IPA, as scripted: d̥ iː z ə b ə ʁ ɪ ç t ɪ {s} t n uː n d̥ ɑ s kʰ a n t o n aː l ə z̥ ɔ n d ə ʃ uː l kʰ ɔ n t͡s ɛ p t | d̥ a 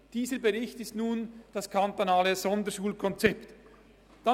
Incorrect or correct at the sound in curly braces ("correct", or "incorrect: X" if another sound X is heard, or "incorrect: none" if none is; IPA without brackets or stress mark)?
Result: correct